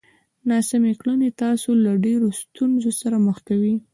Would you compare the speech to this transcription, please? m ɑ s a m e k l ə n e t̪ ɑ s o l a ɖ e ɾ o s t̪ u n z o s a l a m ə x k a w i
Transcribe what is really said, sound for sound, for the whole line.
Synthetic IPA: n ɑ s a m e k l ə n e t̪ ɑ s o l a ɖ e ɾ o s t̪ u n z o s a ɾ a m ə x k a w i